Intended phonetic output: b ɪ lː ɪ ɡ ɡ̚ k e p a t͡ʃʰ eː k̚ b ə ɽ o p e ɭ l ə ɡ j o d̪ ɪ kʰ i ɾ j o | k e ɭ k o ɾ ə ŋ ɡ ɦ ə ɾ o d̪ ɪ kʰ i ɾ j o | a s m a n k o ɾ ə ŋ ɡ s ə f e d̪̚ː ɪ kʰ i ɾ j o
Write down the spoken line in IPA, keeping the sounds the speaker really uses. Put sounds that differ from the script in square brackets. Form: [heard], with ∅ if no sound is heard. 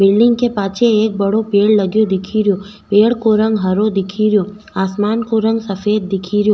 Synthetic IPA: b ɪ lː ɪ [ŋ] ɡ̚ k e p a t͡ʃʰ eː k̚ b ə ɽ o p e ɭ l ə ɡ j o d̪ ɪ kʰ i ɾ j o | [p] e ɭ k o ɾ ə ŋ ɡ ɦ ə ɾ o d̪ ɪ kʰ i ɾ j o | a s m a n k o ɾ ə ŋ ɡ s ə f e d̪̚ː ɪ kʰ i ɾ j o